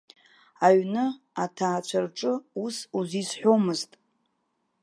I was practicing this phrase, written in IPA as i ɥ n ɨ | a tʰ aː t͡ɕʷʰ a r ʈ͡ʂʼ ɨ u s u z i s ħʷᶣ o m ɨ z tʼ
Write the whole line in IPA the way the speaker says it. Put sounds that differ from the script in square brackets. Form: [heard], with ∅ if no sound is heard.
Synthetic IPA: [a] ɥ n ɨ | a tʰ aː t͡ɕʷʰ a r ʈ͡ʂʼ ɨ u s u z i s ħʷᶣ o m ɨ z tʼ